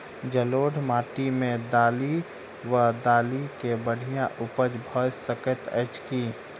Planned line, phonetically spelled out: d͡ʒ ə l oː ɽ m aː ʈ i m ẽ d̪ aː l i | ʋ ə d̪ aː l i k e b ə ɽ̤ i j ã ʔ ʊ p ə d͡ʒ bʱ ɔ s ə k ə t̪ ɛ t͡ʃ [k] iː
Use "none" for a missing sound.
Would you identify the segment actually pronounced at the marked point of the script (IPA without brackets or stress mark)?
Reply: k